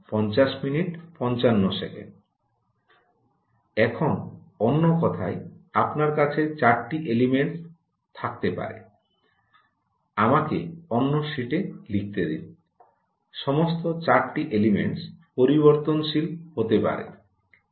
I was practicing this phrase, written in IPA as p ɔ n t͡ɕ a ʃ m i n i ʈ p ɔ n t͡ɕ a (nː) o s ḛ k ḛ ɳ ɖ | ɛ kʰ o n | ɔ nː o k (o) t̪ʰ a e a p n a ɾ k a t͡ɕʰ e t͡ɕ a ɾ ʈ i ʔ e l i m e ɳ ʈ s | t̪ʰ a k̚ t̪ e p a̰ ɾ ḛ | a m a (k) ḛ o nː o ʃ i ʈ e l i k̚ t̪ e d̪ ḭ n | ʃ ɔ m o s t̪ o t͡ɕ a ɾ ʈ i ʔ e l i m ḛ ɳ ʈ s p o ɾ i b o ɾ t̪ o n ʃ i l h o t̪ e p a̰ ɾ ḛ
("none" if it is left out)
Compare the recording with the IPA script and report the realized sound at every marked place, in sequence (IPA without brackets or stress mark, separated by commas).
nː, ɔ, k